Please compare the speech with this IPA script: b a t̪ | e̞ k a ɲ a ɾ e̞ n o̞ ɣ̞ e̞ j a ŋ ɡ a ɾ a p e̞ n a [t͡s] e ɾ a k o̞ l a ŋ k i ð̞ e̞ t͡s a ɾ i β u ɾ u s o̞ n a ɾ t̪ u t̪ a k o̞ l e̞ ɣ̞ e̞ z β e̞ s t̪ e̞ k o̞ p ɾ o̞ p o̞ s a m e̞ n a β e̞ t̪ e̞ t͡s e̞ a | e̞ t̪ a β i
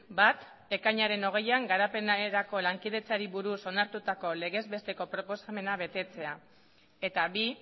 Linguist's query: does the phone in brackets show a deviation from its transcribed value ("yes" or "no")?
yes